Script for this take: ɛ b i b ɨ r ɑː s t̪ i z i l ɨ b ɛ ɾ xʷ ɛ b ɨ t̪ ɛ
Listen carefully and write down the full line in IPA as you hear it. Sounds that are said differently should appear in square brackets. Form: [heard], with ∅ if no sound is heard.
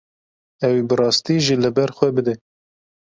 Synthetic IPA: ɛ [w] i b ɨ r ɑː s t̪ i [ʒ] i l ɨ b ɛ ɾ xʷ ɛ b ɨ [d̪] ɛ